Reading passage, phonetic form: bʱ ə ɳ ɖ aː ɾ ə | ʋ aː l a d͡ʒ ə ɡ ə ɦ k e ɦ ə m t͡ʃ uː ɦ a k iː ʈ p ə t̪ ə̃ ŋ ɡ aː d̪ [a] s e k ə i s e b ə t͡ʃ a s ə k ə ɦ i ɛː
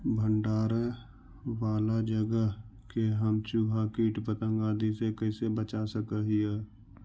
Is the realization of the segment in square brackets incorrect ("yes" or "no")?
yes